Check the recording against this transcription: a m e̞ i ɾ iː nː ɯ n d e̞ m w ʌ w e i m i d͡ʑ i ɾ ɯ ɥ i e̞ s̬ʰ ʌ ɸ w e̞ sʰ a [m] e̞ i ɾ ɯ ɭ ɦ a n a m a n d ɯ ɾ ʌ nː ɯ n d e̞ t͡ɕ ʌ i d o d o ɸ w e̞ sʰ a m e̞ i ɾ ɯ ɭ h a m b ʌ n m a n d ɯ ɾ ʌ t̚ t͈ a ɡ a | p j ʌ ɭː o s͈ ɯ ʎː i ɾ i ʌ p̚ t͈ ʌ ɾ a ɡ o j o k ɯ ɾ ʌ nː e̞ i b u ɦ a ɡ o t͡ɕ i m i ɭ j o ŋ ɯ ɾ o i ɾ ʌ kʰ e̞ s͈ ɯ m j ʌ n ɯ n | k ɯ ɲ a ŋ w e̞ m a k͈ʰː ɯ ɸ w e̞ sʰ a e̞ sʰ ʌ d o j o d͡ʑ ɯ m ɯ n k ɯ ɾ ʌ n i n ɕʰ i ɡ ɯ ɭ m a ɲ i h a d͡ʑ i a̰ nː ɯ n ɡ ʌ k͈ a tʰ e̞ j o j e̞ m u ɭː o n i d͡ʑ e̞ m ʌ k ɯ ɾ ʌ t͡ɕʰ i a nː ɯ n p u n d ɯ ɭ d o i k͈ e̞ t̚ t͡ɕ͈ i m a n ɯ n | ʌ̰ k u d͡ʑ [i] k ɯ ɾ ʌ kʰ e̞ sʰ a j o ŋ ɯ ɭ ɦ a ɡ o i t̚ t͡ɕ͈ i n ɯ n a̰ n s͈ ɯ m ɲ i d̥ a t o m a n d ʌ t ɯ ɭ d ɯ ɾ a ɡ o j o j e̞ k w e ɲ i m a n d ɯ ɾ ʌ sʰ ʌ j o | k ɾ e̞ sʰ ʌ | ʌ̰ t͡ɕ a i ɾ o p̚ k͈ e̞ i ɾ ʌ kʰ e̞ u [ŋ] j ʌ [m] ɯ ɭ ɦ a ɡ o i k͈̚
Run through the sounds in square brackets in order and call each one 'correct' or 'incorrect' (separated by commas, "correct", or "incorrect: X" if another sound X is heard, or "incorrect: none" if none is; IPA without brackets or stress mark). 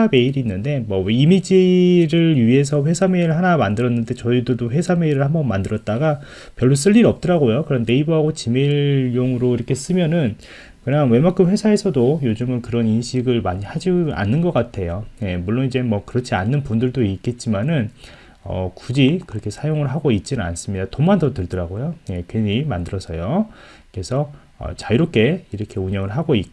correct, correct, incorrect: ɲ, incorrect: ŋ